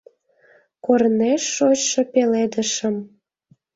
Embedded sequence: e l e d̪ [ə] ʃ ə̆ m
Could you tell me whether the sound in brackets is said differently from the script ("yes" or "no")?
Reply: no